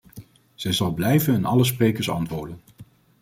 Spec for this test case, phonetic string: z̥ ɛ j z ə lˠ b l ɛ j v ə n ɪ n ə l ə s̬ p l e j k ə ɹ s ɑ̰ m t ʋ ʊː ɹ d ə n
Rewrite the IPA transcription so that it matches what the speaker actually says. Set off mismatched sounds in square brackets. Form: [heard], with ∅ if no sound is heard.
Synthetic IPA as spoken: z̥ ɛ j z [ɑ] lˠ b l ɛ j v ə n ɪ n [ɑ] l ə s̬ p [r] e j k ə ɹ s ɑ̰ [n] t ʋ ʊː ɹ d ə n